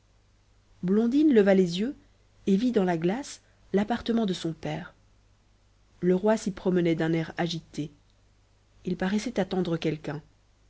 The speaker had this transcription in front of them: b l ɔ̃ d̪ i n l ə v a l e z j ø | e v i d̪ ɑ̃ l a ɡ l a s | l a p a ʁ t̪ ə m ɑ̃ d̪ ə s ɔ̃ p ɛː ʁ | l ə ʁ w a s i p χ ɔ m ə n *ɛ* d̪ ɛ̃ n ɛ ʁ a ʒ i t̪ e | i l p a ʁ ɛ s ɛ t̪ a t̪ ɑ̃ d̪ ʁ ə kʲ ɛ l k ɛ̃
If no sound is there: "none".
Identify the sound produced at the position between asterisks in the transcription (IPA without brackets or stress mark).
ɛ